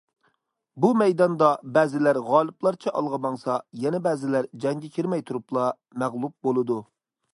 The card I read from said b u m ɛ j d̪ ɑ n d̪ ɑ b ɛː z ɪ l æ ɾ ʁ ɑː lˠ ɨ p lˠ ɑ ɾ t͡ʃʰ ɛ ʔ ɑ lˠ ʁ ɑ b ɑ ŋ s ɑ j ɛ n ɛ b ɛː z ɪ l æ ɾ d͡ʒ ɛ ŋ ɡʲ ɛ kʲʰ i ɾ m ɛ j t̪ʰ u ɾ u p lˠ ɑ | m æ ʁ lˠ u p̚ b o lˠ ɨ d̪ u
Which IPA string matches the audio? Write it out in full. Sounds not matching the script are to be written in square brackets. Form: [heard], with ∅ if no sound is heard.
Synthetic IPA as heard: b u m ɛ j d̪ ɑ n d̪ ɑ b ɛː z ɪ l æ ɾ ʁ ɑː lˠ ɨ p lˠ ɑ ɾ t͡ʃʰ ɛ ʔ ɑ lˠ ʁ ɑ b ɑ ŋ s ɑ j ɛ n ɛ b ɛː z ɪ l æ ɾ d͡ʒ ɛ ŋ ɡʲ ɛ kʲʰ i ɾ m ɛ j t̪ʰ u ɾ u p lˠ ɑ | m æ ʁ lˠ u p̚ b o lˠ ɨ d̪ u